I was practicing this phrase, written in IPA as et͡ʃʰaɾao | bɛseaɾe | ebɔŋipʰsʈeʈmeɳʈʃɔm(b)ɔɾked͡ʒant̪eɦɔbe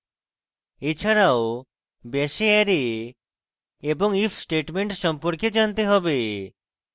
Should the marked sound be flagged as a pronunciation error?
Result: yes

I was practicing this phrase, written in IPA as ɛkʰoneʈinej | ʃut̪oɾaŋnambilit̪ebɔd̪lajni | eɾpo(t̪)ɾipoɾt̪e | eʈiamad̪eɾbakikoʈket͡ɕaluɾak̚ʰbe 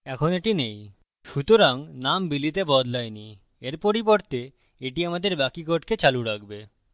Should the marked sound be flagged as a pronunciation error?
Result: yes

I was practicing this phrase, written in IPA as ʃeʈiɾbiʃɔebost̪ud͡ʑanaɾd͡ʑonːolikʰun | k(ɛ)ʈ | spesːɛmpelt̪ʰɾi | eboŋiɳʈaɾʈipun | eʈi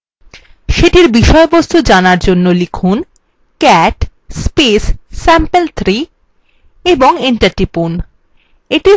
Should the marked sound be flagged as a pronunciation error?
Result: no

